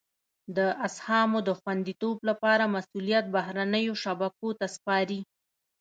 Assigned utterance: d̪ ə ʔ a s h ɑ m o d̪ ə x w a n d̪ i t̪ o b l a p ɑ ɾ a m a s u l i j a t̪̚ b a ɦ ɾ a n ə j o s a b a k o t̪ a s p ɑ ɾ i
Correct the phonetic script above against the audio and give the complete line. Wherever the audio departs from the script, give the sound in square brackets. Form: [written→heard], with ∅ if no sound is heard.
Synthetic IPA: d̪ ə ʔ a s h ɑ m o d̪ ə x w a n d̪ i t̪ o b l a p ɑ ɾ a m a s u l i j a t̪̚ b a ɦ ɾ a n ə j o [s→ʃ] a b a k o t̪ a s p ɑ ɾ i

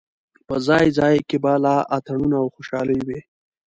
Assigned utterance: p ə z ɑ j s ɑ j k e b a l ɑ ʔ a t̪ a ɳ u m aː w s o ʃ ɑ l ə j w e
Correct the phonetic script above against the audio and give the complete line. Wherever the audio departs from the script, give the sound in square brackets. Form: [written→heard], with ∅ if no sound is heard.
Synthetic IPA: p ə z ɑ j [s→z] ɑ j k e b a l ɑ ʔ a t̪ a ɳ u [m→n] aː w [s→x] o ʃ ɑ l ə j w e

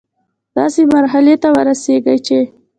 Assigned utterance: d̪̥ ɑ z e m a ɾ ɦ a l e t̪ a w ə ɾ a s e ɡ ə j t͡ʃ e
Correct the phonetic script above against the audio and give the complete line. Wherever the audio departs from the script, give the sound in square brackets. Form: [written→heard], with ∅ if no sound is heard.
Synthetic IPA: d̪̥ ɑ [z→s] e m a ɾ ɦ a l e t̪ a w ə ɾ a s e ɡ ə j t͡ʃ e

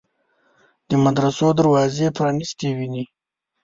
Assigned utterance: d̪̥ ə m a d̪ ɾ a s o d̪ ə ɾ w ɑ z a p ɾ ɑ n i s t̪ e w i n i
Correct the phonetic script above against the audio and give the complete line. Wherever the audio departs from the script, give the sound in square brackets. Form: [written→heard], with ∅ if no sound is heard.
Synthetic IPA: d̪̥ ə m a d̪ ɾ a s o d̪ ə ɾ w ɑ z [a→e] p ɾ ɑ n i s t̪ e w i n i

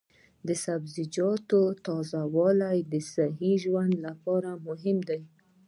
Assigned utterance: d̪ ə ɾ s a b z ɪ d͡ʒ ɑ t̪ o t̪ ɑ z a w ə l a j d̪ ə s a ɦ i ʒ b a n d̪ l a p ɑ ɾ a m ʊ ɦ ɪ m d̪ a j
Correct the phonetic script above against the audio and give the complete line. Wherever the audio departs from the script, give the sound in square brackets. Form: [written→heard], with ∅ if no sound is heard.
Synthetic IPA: d̪ ə [ɾ→∅] s a b z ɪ d͡ʒ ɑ t̪ o t̪ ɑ z a w [ə→ɑ] l a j d̪ ə s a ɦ i ʒ [b→w] a n d̪ l a p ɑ ɾ a m ʊ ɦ ɪ m d̪ a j

